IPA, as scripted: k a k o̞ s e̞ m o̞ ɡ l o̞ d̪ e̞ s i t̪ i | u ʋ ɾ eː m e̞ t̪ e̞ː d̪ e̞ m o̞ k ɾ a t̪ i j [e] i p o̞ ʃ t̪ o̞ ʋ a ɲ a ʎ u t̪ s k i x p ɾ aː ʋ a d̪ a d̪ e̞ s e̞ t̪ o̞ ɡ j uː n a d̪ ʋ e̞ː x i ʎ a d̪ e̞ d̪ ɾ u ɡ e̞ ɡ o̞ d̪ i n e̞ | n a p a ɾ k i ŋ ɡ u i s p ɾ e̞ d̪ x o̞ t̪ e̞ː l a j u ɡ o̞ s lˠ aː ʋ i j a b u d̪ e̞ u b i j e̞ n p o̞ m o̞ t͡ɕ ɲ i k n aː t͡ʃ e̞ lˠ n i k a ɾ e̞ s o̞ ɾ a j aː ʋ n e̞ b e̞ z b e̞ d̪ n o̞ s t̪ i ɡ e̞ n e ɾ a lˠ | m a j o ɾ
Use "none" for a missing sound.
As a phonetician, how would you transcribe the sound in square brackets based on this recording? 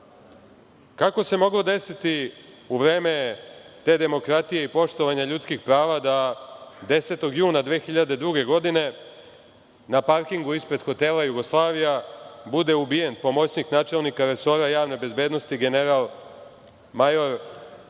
e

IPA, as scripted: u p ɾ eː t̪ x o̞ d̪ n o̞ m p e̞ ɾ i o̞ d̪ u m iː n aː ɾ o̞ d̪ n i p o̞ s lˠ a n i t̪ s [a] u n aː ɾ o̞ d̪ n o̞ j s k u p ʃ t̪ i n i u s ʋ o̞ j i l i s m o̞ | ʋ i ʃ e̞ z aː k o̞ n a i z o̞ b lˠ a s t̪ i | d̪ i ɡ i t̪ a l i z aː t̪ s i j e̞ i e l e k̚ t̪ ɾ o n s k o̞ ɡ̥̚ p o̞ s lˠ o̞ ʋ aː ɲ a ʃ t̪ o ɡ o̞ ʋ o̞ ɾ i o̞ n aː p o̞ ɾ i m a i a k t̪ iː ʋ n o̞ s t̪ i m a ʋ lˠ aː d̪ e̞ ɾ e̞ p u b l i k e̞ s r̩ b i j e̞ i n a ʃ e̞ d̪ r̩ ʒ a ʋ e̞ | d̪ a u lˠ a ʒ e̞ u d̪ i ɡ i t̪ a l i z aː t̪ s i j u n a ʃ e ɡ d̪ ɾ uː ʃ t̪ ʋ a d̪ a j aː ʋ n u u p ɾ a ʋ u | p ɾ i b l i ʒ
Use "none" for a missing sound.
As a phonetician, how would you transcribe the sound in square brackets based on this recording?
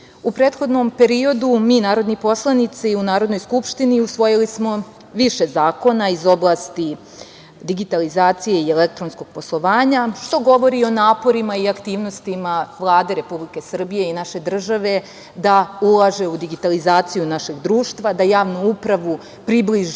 i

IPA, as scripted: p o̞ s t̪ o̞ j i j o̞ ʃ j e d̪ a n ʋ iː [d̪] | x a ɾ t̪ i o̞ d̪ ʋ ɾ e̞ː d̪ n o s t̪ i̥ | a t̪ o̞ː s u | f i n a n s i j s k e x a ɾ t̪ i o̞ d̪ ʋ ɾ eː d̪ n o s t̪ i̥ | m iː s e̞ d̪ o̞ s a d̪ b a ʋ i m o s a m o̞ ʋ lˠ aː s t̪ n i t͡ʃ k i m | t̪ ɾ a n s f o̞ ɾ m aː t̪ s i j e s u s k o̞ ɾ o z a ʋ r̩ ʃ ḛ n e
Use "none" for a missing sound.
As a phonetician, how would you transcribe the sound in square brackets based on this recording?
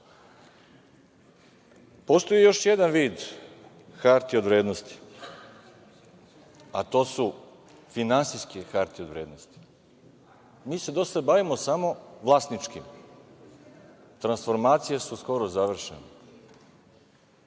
d̪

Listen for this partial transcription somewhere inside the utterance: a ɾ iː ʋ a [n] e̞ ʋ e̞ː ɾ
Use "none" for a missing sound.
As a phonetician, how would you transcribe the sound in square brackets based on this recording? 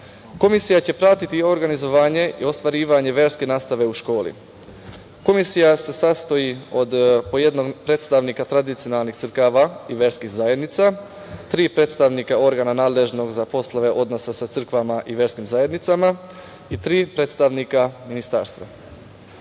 ɲ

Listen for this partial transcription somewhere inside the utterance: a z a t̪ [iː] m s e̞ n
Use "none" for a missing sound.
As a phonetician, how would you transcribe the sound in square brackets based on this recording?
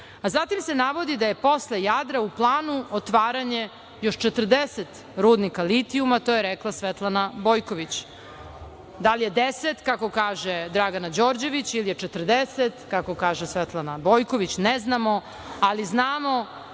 i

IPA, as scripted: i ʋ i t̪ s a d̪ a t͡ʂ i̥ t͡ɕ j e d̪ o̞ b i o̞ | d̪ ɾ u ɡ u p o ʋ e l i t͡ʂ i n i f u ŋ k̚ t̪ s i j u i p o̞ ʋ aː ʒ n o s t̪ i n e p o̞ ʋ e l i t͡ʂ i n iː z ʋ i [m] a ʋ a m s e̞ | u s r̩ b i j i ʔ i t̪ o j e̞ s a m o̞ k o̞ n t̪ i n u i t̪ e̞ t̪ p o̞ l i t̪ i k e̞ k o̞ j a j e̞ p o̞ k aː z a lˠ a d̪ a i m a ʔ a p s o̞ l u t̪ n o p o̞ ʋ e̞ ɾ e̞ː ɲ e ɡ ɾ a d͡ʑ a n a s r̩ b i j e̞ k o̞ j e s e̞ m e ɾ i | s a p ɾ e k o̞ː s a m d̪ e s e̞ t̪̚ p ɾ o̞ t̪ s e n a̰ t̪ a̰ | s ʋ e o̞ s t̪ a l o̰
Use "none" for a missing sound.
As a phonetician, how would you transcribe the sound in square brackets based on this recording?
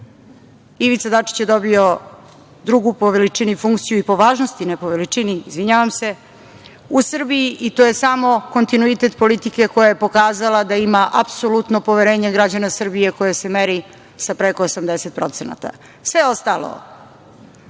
ɲ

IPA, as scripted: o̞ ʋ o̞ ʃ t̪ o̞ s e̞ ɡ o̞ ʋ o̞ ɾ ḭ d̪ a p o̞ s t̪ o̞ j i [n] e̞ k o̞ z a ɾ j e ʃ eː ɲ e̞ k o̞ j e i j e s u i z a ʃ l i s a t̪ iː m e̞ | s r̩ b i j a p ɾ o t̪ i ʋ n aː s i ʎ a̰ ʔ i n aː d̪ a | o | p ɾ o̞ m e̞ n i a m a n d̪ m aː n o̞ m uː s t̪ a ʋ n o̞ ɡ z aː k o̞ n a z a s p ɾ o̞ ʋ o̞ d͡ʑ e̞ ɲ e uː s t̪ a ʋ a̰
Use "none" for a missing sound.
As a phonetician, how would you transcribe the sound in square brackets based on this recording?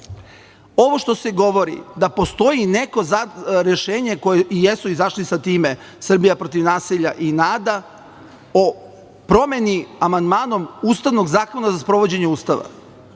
n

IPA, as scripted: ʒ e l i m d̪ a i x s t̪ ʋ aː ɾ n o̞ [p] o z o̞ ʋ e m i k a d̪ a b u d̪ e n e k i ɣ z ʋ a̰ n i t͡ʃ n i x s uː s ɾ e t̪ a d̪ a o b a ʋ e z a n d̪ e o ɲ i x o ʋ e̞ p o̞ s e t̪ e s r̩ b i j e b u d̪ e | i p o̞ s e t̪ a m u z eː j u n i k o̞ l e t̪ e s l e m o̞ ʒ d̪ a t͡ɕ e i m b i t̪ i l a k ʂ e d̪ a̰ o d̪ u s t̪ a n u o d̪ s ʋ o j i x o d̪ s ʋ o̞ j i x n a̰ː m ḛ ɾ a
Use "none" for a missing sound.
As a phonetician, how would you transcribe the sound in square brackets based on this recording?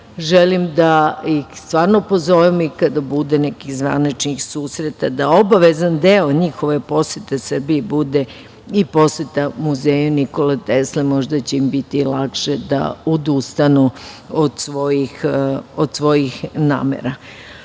p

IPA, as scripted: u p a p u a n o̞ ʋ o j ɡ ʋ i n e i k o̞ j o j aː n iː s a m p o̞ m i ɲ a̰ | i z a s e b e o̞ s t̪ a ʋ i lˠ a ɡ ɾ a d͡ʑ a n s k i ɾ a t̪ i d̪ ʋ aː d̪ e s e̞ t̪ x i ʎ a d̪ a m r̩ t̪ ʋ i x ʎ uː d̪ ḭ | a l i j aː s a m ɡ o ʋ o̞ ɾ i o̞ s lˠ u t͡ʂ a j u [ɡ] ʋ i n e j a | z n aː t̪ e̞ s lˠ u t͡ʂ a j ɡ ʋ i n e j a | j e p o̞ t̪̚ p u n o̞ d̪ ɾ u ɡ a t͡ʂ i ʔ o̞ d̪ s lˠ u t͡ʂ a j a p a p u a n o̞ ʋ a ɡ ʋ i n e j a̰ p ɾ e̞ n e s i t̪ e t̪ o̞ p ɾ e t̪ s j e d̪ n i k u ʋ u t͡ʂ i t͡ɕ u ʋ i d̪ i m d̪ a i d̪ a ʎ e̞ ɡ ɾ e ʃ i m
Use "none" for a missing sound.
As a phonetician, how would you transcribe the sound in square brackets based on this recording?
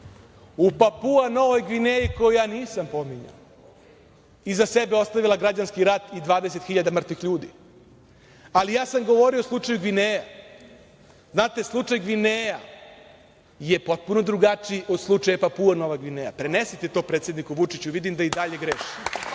ɡ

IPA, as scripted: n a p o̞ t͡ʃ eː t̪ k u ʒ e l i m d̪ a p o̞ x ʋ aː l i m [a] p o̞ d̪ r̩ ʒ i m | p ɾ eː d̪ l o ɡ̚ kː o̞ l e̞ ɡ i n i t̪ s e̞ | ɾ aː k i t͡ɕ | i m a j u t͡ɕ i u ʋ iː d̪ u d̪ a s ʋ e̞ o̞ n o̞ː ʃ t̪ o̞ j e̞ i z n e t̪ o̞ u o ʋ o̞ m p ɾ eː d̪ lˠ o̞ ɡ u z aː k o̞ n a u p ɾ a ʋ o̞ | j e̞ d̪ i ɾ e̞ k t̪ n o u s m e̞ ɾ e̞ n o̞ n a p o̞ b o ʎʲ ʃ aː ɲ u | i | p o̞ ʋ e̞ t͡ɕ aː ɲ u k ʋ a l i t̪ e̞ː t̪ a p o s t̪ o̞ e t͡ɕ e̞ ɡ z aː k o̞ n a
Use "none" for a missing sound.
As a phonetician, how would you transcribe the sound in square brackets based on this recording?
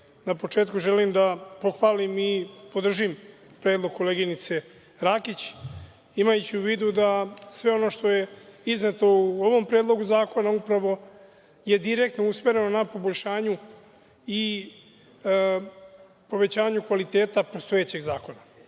i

